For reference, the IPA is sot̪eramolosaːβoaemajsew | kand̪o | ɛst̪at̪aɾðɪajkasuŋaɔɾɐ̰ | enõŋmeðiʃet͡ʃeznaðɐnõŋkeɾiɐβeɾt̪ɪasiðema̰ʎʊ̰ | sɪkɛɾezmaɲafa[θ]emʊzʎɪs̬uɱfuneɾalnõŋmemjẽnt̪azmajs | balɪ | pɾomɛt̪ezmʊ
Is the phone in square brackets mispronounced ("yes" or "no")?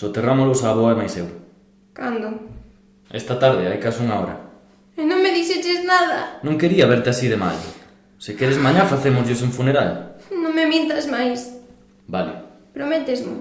no